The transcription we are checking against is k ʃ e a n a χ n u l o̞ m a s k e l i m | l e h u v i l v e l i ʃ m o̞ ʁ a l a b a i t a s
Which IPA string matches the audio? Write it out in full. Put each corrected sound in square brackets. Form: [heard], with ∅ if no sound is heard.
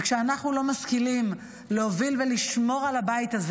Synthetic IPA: k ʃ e a n a χ n u l o̞ m a s k [i] l i m | l e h [o] v i l v e l i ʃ m o̞ ʁ a l a b a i t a [z]